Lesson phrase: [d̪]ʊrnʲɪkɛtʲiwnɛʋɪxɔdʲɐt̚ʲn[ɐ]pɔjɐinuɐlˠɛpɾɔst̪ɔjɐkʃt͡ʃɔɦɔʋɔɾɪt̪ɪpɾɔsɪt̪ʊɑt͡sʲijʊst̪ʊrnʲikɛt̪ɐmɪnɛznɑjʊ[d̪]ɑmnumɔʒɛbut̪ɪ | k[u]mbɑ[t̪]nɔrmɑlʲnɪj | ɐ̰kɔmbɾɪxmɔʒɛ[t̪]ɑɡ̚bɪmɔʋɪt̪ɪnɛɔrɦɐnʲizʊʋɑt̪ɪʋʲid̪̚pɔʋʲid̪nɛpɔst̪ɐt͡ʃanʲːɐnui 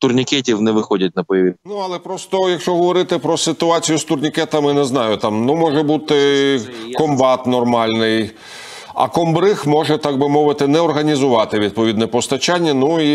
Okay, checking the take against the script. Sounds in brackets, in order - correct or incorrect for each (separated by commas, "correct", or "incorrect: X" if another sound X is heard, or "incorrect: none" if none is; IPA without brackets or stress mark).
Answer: incorrect: t̪, correct, incorrect: t̪, incorrect: ɔ, correct, correct